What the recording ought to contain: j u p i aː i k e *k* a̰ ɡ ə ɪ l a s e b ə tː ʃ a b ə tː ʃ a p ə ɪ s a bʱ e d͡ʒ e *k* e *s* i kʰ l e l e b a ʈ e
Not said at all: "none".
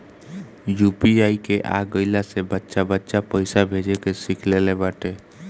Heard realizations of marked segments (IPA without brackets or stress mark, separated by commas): ʔ, k, s